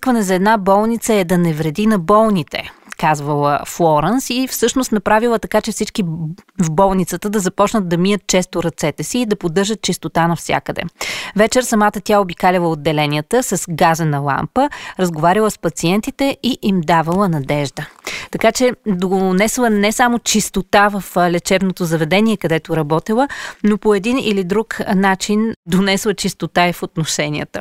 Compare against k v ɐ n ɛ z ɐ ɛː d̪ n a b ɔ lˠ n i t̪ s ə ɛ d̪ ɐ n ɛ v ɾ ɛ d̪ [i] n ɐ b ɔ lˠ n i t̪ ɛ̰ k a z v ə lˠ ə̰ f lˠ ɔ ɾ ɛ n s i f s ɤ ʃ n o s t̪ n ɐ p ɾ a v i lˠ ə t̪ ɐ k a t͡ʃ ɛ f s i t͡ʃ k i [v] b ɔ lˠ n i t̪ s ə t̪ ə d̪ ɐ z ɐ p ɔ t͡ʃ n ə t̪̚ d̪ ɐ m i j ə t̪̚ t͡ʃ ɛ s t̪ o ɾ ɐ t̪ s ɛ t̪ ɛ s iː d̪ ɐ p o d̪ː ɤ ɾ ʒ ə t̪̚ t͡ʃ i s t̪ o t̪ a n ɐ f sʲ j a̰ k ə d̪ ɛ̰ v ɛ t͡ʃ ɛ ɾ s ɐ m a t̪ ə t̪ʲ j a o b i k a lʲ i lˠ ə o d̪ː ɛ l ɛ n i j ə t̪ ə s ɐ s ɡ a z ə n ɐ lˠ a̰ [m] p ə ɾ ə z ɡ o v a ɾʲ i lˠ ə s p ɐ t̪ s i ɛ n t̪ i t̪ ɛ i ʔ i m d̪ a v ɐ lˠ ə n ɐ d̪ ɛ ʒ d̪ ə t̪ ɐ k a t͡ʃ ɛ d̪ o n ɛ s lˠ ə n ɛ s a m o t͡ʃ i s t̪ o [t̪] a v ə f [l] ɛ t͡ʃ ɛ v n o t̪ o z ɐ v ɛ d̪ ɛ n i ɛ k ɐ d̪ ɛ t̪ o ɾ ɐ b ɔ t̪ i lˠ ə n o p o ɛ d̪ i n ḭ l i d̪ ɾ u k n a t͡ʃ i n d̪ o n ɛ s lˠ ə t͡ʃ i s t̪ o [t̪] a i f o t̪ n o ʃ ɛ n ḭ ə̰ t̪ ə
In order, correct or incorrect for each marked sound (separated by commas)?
correct, correct, correct, correct, correct, correct